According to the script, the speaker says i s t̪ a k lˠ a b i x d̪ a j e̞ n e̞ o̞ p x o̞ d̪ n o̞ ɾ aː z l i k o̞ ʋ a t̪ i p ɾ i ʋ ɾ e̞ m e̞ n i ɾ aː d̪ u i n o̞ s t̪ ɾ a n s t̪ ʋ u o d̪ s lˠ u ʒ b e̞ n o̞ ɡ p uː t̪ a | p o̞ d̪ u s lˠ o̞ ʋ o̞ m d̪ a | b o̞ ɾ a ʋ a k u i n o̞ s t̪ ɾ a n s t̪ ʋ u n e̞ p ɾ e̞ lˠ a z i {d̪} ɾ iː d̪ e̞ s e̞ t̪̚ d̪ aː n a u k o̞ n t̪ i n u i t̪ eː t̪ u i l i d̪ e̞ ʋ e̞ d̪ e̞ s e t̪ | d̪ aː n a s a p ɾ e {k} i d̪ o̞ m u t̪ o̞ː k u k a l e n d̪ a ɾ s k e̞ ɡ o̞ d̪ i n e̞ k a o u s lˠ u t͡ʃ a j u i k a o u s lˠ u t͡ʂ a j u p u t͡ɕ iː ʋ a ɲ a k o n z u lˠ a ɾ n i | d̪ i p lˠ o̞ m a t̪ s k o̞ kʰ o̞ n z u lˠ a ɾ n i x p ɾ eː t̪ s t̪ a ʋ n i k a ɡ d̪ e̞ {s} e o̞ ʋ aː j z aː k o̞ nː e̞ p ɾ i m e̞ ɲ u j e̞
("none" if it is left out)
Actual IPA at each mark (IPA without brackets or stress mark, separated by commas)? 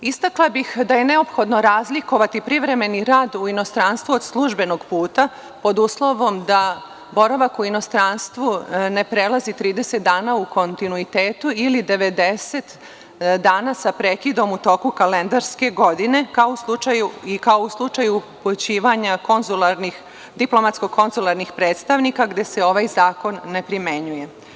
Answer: t̪, k, s